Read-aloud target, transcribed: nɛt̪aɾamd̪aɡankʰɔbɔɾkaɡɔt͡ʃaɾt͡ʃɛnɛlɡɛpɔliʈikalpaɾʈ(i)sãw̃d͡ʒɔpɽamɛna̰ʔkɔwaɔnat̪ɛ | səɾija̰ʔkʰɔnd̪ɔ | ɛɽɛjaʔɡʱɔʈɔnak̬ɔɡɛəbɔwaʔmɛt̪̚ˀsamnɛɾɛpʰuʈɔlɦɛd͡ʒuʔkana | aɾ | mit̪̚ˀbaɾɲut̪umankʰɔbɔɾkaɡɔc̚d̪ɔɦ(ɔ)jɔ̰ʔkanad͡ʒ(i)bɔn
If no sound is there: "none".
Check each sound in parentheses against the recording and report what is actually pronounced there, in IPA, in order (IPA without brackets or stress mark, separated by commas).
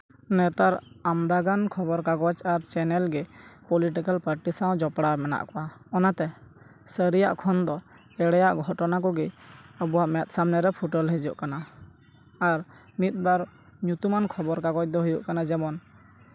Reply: i, u, ɛ